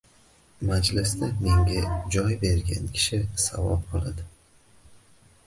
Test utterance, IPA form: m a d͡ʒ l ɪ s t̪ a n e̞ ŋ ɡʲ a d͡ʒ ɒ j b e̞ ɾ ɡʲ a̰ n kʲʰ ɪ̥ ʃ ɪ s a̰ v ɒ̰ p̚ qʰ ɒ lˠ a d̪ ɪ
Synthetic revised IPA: m a d͡ʒ l ɪ s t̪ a m e̞ ŋ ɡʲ a d͡ʒ ɒ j b e̞ ɾ ɡʲ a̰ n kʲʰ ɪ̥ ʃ ɪ s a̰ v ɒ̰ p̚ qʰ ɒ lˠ a d̪ ɪ